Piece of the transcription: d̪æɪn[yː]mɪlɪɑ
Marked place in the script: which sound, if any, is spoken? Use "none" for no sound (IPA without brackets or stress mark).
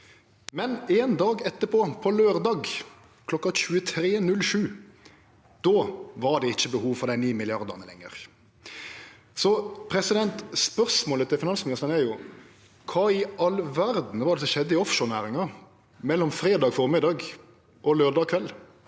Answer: iː